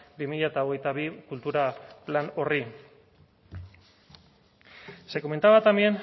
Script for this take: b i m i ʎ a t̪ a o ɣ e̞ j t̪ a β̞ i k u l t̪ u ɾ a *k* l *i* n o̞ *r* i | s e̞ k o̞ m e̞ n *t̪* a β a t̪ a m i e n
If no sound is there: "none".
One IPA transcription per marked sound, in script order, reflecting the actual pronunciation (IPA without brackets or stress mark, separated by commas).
p, a, r, t̪